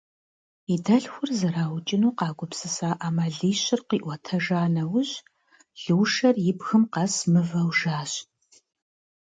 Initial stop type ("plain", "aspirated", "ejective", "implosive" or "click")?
plain